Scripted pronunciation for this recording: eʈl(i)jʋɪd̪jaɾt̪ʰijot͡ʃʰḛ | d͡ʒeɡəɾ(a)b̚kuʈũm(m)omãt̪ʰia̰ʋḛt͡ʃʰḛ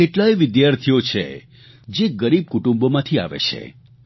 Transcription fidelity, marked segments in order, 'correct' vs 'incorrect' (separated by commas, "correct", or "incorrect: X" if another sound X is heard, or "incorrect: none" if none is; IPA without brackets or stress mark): incorrect: a, incorrect: i, incorrect: b